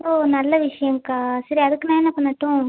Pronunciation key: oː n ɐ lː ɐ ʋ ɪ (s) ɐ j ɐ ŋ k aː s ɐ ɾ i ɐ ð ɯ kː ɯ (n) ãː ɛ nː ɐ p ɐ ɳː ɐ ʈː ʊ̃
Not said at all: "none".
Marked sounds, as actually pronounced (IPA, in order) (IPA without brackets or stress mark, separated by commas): ʂ, n